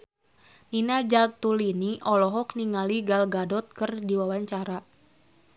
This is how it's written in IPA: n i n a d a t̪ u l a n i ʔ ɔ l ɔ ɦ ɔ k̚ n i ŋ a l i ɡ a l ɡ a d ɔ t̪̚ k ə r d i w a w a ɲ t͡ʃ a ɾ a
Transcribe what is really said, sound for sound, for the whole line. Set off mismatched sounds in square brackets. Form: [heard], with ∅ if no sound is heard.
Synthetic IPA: n i n a [d͡ʒ] a t̪ u l [i] n i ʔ ɔ l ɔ ɦ ɔ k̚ n i ŋ a l i ɡ a l ɡ a d ɔ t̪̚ k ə r d i w a w a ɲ t͡ʃ a ɾ a